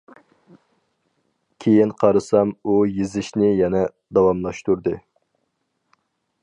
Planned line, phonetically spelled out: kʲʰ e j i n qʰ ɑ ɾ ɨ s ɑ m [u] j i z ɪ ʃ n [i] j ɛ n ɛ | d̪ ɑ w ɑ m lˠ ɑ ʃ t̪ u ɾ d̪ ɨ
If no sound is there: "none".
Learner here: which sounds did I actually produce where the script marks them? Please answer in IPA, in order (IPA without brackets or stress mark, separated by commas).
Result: u, ɪ